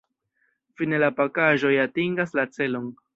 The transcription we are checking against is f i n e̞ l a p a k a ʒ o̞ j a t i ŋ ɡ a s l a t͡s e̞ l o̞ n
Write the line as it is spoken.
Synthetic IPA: f i n e̞ l a p a k a ʒ o̞ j a t i ŋ ɡ a s l a t͡s e̞ l o̞ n